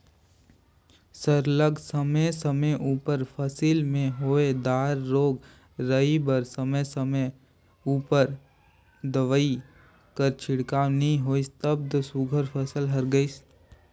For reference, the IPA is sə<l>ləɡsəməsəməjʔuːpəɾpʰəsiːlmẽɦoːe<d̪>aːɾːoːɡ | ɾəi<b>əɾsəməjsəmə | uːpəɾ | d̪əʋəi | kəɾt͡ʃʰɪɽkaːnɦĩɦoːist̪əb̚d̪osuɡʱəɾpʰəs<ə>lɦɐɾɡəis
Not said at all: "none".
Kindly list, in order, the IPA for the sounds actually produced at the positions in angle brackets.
ɾ, d̪, b, ə

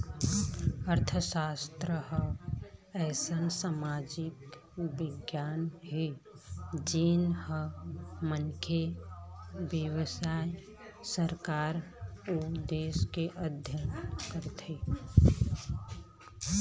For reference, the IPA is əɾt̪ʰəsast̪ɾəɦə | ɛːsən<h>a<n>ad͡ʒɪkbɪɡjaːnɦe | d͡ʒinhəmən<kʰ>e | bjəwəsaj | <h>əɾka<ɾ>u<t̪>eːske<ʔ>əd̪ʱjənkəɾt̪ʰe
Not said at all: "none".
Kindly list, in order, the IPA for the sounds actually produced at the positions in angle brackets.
s, m, kʰ, s, ɾ, d̪, ʔ

